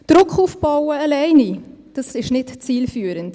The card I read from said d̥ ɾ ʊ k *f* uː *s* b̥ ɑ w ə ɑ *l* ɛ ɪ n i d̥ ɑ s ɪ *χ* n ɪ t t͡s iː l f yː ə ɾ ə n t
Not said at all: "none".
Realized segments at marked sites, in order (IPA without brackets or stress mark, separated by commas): χ, f, l, ʃ